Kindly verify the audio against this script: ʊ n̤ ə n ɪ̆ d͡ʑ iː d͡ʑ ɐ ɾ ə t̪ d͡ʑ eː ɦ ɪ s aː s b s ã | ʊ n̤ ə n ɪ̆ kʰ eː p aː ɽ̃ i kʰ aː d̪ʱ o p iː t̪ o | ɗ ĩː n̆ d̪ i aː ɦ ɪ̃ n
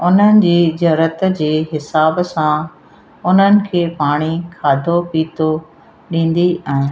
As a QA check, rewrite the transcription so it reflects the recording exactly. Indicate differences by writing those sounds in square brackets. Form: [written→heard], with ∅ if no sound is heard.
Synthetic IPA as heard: ʊ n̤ ə n ɪ̆ d͡ʑ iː d͡ʑ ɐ ɾ ə t̪ d͡ʑ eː ɦ ɪ s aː [s→∅] b s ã | ʊ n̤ ə n ɪ̆ kʰ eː p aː ɽ̃ i kʰ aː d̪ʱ o p iː t̪ o | ɗ ĩː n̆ d̪ i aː ɦ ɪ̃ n